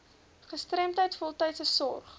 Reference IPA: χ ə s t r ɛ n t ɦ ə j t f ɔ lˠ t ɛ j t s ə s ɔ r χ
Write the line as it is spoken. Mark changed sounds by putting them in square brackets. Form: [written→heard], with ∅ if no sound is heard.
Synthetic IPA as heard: χ ə s t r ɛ [n→m] t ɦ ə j t f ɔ lˠ t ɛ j t s ə s ɔ r χ